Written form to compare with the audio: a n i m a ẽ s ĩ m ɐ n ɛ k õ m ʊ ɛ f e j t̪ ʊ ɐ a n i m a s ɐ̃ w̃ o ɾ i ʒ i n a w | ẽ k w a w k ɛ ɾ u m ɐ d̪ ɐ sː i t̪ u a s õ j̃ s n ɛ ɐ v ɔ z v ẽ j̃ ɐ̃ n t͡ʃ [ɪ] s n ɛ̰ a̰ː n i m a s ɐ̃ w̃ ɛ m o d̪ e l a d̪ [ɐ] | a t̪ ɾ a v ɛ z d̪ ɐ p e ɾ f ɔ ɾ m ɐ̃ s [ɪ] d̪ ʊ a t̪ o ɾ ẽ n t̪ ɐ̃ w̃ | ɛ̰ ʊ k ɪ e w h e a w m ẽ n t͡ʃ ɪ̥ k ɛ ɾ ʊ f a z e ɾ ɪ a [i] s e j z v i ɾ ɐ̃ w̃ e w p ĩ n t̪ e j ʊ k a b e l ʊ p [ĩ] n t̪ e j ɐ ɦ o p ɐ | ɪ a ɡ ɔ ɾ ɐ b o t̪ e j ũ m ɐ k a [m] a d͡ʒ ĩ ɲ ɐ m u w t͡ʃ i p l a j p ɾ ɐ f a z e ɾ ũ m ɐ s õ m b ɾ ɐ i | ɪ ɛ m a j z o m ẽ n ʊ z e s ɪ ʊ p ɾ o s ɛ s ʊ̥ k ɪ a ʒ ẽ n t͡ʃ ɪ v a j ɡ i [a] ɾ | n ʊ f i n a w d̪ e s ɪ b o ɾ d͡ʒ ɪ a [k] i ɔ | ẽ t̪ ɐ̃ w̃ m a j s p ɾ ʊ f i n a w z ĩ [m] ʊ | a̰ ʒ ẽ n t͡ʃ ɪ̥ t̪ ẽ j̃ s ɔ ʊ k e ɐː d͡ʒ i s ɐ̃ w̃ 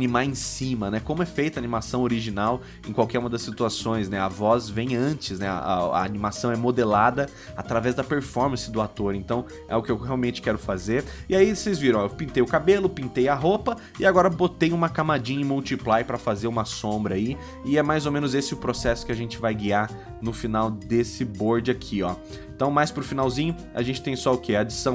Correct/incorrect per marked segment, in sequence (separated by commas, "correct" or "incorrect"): correct, correct, correct, correct, correct, correct, correct, incorrect, incorrect